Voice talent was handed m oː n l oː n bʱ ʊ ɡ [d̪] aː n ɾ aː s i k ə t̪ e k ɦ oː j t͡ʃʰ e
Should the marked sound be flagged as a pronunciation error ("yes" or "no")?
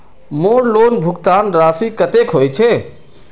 yes